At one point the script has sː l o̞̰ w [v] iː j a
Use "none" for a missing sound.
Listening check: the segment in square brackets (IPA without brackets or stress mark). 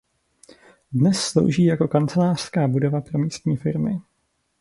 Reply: ʒ